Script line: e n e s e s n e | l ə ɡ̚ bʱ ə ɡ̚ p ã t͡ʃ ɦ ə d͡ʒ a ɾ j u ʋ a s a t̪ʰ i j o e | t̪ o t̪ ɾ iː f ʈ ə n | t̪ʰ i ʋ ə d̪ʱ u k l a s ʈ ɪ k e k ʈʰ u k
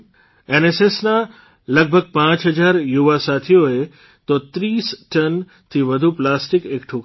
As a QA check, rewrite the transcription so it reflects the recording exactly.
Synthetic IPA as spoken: e n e s e s n a | l ə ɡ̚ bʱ ə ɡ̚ p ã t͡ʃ ɦ ə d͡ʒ a ɾ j u ʋ a s a t̪ʰ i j o e | t̪ o t̪ ɾ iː s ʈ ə n | t̪ʰ i ʋ ə d̪ʱ u p l a s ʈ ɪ k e k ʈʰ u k